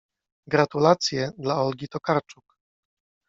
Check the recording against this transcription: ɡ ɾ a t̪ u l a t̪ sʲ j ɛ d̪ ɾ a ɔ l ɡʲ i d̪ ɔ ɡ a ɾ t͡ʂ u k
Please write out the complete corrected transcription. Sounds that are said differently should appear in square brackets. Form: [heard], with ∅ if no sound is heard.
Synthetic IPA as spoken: ɡ ɾ a t̪ u l a t̪ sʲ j ɛ d̪ [l] a ɔ l ɡʲ i [t̪] ɔ [k] a ɾ t͡ʂ u k